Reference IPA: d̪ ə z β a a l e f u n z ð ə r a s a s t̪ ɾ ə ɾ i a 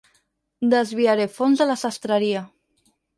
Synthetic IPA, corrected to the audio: d̪ ə z β i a ɾ e f o n z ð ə l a s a s t̪ ɾ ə ɾ i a